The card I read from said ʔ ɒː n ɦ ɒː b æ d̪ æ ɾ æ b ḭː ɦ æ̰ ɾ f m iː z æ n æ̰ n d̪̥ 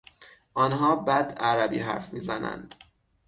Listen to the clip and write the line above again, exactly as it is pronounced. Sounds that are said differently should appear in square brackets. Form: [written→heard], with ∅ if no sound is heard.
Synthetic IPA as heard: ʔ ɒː n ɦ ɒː b æ d̪ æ ɾ æ b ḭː ɦ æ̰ ɾ f m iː z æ n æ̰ n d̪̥